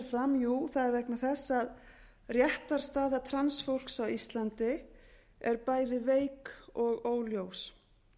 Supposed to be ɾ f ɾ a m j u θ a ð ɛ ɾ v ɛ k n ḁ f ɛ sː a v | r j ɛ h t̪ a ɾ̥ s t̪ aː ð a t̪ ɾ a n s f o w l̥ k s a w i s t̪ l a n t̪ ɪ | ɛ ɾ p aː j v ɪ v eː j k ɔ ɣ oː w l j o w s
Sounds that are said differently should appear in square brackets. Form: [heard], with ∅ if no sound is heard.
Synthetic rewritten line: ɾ f ɾ a m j u θ a ð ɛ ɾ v ɛ k n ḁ [θ] ɛ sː a [ð] | r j ɛ h t̪ a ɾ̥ s t̪ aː ð a [t̪ʰ] ɾ a n s f o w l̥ k s a w i s t̪ l a n t̪ ɪ | ɛ ɾ p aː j [ð] ɪ v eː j k ɔ ɣ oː w l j o w s